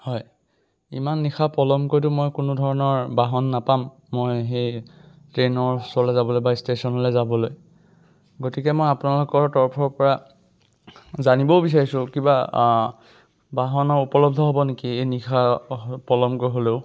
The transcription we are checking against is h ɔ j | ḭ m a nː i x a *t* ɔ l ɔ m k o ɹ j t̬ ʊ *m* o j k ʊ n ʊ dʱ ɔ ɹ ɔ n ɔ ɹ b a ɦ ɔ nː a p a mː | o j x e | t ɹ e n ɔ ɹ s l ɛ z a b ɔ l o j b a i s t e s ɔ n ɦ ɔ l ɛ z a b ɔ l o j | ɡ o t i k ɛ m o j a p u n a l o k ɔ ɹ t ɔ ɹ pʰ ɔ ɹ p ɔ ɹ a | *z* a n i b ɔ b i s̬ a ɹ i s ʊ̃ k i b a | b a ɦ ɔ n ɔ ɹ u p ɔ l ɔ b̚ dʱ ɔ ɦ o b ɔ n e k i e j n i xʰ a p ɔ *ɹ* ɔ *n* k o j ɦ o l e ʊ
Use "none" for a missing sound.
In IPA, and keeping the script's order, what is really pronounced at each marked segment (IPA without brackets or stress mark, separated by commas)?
p, m, z, l, m